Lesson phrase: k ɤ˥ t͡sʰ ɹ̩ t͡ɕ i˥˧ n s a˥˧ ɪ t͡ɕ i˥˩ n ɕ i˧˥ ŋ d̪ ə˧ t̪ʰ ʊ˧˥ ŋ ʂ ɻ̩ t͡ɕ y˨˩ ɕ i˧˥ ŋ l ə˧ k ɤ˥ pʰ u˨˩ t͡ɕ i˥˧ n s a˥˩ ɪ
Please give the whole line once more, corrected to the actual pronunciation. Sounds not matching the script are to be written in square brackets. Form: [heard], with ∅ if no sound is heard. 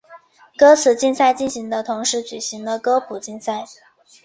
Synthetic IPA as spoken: k ɤ˥ t͡sʰ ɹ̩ t͡ɕ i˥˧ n s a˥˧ ɪ t͡ɕ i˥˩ n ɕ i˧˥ ŋ d̪ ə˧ t̪ʰ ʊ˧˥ ŋ ʂ ɻ̩ t͡ɕ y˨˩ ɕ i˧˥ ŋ l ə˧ k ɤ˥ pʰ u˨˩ t͡ɕ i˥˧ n s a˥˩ ɪ